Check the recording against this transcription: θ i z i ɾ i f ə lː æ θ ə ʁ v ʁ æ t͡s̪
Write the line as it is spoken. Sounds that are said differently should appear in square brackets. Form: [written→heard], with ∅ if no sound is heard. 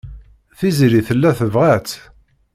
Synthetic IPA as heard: θ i z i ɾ i [f→θ] ə lː æ θ ə [ʁ→∅] v ʁ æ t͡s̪